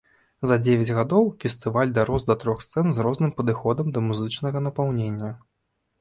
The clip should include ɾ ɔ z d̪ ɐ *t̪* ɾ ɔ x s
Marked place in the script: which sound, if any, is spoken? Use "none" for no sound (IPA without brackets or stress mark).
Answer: t̪